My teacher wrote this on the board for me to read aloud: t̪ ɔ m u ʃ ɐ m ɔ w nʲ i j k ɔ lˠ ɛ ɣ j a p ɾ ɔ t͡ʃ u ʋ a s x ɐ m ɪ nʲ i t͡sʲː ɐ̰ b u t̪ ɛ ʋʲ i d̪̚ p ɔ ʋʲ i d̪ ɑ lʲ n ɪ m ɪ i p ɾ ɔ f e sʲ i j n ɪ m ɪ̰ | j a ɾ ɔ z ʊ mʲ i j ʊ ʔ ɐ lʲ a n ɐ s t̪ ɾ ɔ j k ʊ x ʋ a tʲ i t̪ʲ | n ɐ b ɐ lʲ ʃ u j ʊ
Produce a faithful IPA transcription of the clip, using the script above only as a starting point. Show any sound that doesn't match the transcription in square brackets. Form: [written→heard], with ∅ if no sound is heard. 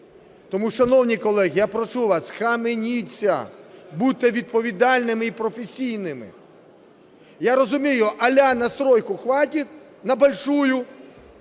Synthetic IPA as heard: t̪ ɔ m u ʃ ɐ [m→n] ɔ w nʲ i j k ɔ lˠ ɛ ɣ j a p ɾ ɔ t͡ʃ u ʋ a s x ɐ m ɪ nʲ i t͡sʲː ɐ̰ b u t̪ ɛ ʋʲ i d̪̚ p ɔ ʋʲ i d̪ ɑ lʲ n ɪ m ɪ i p ɾ ɔ f e sʲ i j n ɪ m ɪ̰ | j a ɾ ɔ z ʊ mʲ i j ʊ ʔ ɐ lʲ a n ɐ s t̪ ɾ ɔ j k ʊ x ʋ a tʲ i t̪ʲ | n ɐ b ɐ lʲ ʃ u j ʊ

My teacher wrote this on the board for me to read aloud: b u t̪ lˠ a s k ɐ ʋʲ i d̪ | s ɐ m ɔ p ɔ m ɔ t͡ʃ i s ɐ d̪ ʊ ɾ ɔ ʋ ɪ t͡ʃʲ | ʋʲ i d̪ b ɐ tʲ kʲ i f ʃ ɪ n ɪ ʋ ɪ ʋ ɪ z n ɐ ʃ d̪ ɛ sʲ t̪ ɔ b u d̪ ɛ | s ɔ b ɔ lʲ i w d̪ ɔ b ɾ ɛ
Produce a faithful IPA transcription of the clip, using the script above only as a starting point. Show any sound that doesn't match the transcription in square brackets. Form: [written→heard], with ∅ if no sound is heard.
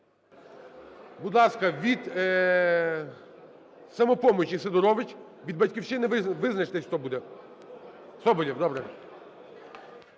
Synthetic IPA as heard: b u [t̪→d̪] lˠ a s k ɐ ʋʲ i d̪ | s ɐ m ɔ p ɔ m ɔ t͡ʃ i s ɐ d̪ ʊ ɾ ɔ ʋ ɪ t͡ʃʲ | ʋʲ i d̪ b ɐ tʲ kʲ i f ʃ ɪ n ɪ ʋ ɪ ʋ ɪ z n ɐ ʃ [d̪→t̪] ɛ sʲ t̪ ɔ b u d̪ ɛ | s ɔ b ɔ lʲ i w d̪ ɔ b ɾ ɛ

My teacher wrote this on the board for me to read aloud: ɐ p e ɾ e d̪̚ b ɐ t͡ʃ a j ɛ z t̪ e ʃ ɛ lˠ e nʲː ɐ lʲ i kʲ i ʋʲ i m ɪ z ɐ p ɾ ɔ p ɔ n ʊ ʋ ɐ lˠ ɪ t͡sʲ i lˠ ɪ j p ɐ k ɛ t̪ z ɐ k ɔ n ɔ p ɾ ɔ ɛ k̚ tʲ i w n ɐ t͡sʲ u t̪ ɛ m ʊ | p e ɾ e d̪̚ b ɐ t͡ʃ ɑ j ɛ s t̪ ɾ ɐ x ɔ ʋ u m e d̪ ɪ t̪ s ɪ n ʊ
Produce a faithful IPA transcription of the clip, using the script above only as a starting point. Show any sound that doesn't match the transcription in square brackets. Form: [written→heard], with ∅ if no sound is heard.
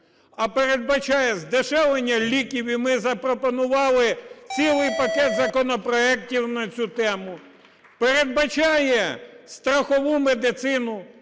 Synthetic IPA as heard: ɐ p e ɾ e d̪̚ b ɐ t͡ʃ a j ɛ z [t̪→d̪] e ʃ ɛ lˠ e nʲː ɐ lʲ i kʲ i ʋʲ i m ɪ z ɐ p ɾ ɔ p ɔ n ʊ ʋ [ɐ→ɑ] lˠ ɪ t͡sʲ i lˠ ɪ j p ɐ k ɛ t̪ z ɐ k ɔ n ɔ p ɾ ɔ ɛ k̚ tʲ i w n ɐ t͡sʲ u t̪ ɛ m ʊ | p e ɾ e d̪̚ b ɐ t͡ʃ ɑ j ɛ s t̪ ɾ ɐ x ɔ ʋ u m e d̪ ɪ t̪ s ɪ n ʊ

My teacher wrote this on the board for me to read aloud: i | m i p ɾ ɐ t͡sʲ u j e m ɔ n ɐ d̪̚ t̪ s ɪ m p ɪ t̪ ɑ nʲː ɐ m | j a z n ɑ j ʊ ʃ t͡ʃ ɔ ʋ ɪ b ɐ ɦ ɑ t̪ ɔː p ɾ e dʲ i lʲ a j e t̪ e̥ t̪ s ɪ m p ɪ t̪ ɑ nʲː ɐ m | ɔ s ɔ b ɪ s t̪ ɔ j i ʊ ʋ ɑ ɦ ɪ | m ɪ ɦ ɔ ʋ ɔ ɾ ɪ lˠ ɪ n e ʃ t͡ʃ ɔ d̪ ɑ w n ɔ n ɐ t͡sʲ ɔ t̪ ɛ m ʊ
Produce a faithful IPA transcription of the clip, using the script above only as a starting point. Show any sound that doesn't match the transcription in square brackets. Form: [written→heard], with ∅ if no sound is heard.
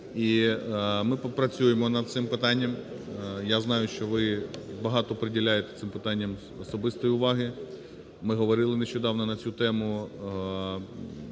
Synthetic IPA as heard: i | m [i→ɪ] p ɾ ɐ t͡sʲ u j e m ɔ n ɐ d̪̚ t̪ s ɪ m p ɪ t̪ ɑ nʲː ɐ m | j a z n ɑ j ʊ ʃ t͡ʃ ɔ ʋ ɪ b ɐ ɦ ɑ t̪ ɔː p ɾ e dʲ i lʲ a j e t̪ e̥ t̪ s ɪ m p ɪ t̪ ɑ nʲː ɐ m | ɔ s ɔ b ɪ s t̪ ɔ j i ʊ ʋ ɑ ɦ ɪ | m ɪ ɦ ɔ ʋ ɔ ɾ ɪ lˠ ɪ n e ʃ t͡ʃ ɔ d̪ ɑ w n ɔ n ɐ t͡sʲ [ɔ→u] t̪ ɛ m ʊ

